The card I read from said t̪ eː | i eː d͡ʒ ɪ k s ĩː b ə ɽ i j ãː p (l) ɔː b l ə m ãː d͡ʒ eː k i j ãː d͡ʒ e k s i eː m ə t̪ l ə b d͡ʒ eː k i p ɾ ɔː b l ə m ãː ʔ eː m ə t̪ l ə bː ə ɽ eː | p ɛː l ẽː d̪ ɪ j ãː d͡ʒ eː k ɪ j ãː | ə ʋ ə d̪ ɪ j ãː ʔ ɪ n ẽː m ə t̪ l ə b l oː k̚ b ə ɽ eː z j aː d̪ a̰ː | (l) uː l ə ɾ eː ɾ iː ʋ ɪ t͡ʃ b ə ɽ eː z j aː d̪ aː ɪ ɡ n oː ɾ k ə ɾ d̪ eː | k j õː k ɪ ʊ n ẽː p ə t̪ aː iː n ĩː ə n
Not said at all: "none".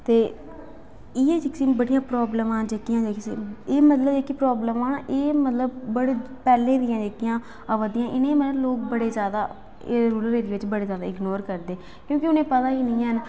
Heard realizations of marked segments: ɾ, ɾ

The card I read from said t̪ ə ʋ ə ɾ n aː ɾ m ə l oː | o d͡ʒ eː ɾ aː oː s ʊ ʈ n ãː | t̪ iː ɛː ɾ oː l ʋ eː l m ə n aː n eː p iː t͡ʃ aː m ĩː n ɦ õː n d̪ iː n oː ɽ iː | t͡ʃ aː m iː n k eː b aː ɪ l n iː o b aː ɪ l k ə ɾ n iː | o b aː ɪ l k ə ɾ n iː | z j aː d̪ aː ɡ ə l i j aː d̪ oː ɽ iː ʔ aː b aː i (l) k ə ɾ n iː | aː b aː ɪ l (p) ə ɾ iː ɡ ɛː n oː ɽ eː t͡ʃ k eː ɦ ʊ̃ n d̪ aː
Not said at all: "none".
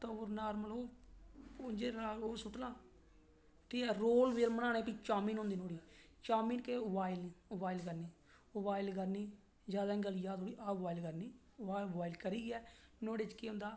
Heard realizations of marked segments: l, k

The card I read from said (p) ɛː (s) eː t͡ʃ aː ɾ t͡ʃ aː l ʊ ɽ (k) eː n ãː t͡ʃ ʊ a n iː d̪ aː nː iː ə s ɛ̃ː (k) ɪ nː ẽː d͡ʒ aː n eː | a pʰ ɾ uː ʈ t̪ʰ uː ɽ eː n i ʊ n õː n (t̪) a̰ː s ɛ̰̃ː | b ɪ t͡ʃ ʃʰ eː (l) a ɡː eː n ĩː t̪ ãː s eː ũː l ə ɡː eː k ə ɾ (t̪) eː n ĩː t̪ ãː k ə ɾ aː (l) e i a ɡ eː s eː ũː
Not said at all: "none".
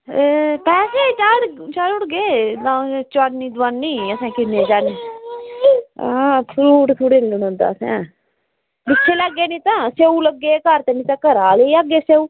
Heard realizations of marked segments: p, s, ɡ, k, d̪, l, t̪, l

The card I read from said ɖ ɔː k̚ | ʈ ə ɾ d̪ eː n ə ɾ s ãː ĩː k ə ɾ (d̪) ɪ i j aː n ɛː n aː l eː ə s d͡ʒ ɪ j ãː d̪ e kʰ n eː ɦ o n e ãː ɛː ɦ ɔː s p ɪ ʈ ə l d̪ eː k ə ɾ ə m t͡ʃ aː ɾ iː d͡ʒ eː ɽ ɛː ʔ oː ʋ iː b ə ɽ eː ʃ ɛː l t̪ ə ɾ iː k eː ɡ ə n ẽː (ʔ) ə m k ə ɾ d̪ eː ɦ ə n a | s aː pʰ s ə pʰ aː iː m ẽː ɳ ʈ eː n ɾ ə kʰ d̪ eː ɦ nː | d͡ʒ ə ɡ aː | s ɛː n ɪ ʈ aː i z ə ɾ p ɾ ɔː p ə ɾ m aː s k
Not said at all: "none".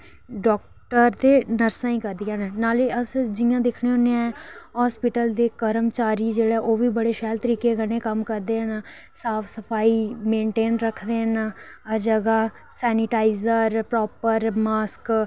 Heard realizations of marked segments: d̪, k

